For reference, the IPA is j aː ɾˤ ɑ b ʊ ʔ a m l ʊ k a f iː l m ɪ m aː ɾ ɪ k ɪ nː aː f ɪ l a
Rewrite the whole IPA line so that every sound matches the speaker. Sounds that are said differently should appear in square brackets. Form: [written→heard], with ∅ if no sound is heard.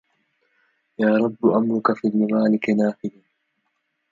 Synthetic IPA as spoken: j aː ɾˤ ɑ [b→bː] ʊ ʔ a m [l→ɾ] ʊ k a f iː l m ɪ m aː [ɾ→l] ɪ k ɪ [nː→n] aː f ɪ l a